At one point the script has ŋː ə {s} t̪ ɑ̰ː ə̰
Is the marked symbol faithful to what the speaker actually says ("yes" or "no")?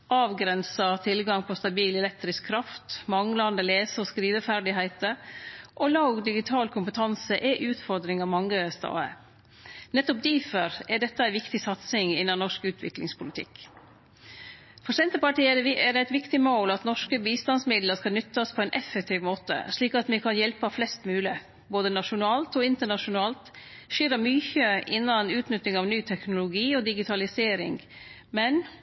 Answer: yes